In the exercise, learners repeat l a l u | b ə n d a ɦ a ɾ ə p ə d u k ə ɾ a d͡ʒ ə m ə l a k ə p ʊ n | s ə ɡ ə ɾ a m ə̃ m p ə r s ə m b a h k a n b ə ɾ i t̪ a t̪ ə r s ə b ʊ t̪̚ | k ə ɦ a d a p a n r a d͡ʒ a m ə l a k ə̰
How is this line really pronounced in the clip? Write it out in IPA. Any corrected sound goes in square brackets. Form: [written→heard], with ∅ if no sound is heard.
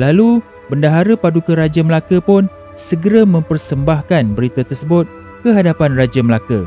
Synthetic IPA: l a l u | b ə n d a ɦ a ɾ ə p [ə→a] d u k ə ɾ a d͡ʒ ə m ə l a k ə p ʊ n | s ə ɡ ə ɾ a m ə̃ m p ə r s ə m b a h k a n b ə ɾ i t̪ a t̪ ə r s ə b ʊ t̪̚ | k ə ɦ a d a p a n r a d͡ʒ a m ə l a k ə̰